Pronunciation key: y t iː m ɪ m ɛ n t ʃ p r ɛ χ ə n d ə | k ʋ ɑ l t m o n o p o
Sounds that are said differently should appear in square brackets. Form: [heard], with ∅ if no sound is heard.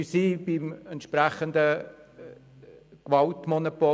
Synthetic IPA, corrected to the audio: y [s] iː [b] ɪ m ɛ n t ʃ p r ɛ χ ə n d ə | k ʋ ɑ l t m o n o p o